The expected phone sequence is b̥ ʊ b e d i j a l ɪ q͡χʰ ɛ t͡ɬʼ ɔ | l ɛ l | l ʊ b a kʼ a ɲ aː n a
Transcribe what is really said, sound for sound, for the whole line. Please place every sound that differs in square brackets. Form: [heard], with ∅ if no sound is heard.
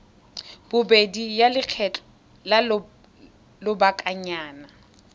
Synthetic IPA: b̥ ʊ b e d i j a l ɪ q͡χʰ ɛ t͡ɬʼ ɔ | l [a] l | l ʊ b a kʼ a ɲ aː n a